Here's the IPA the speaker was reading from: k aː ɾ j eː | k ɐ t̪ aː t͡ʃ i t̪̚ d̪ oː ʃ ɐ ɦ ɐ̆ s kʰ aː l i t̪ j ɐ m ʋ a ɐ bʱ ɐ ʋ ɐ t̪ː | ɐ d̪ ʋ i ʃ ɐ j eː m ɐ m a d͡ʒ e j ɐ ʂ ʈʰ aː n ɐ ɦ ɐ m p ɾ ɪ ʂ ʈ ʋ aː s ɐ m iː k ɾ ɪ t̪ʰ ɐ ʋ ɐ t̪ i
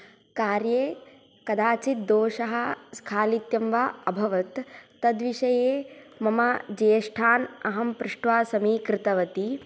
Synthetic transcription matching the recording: k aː ɾ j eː | k ɐ d̪ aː t͡ʃ i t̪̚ d̪ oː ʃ ɐ ɦ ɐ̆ s kʰ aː l i t̪ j ɐ m ʋ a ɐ bʱ ɐ ʋ ɐ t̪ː | ɐ d̪ ʋ i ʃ ɐ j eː m ɐ m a d͡ʒ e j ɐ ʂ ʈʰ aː n ɐ ɦ ɐ m p ɾ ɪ ʂ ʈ ʋ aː s ɐ m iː k ɾ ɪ t̪ ɐ ʋ ɐ t̪ i